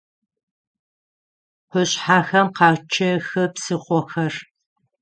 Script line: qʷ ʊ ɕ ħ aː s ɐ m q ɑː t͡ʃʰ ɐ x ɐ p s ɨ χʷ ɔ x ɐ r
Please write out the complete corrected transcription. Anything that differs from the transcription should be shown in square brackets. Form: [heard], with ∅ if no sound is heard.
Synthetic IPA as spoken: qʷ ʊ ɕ ħ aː [x] ɐ m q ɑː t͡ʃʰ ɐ x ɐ p s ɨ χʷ ɔ x ɐ r